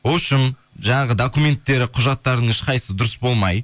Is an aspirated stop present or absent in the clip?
present